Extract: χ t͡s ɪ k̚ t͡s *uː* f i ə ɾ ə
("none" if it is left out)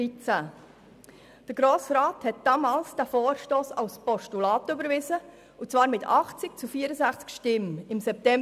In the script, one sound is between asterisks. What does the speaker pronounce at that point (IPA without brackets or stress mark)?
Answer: u